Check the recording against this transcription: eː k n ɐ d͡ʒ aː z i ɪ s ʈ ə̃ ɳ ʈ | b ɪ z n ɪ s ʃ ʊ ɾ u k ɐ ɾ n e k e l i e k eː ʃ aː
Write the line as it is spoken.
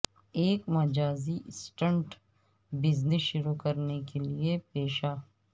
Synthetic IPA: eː k m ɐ d͡ʒ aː z i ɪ s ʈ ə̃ ɳ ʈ | b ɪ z n ɪ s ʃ ʊ ɾ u k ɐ ɾ n e k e l i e p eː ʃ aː